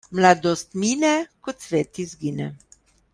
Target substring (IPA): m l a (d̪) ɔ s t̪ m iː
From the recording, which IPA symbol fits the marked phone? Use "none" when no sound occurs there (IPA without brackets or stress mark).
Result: d̪